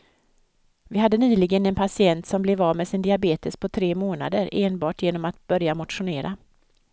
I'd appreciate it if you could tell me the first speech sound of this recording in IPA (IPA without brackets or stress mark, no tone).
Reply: v